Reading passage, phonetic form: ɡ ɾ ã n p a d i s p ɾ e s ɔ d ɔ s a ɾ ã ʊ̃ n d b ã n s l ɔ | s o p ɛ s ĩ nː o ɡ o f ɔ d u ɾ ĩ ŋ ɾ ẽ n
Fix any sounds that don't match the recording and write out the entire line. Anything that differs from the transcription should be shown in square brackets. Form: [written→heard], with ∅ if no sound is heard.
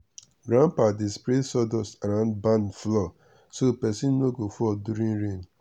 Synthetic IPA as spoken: ɡ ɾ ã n p a d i s p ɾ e s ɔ d ɔ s a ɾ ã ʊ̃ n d b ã n [s→f] l ɔ | s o p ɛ s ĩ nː o ɡ o f ɔ d u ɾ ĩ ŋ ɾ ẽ n